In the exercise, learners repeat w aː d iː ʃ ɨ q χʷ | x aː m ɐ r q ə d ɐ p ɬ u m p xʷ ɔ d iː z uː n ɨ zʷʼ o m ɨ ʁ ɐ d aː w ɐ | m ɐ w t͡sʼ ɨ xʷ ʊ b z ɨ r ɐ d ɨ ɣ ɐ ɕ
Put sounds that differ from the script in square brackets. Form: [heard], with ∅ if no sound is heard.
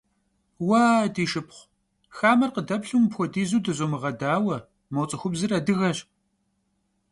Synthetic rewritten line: w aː d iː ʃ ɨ [p] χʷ | x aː m ɐ r q ə d ɐ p ɬ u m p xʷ ɔ d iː z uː [d] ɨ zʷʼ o m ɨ ʁ ɐ d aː w ɐ | m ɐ w t͡sʼ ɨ xʷ ʊ b z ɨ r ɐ d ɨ ɣ ɐ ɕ